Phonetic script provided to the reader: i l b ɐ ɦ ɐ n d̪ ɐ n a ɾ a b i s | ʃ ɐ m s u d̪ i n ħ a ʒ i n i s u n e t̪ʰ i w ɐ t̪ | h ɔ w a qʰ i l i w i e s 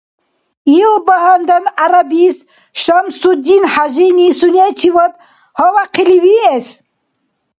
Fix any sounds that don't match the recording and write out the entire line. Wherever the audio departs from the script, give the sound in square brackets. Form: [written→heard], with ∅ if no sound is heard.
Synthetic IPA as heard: i l b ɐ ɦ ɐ n d̪ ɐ n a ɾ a b i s | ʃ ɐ m s u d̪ i n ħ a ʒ i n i s u n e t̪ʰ i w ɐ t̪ | h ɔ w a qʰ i l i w i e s